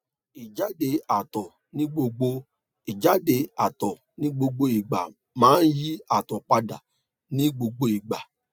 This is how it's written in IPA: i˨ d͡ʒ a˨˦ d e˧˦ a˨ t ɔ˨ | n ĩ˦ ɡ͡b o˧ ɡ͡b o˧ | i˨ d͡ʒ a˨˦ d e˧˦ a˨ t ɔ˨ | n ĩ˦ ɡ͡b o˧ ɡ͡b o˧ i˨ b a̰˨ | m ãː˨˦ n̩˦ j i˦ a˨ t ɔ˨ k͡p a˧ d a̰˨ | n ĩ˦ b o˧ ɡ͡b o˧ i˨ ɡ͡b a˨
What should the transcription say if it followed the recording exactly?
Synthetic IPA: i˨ d͡ʒ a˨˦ d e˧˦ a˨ t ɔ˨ | n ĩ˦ ɡ͡b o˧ ɡ͡b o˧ | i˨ d͡ʒ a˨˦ d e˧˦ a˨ t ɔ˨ | n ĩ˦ ɡ͡b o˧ ɡ͡b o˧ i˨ ɡ͡b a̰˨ | m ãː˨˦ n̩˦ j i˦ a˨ t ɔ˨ k͡p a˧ d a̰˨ | n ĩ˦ ɡ͡b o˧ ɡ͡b o˧ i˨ ɡ͡b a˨